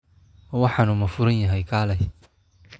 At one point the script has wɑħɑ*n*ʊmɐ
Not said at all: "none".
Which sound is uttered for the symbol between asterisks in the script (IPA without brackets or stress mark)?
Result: n